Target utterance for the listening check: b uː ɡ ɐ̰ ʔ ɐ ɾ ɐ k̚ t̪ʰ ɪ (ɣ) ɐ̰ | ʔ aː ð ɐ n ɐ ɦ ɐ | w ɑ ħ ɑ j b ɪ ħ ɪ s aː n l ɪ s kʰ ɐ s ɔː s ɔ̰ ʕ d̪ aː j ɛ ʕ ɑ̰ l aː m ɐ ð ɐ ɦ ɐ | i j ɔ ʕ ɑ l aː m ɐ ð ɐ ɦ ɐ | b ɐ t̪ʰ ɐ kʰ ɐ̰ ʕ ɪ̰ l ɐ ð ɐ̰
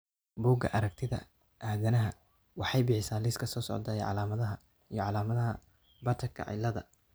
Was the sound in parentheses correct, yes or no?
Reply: no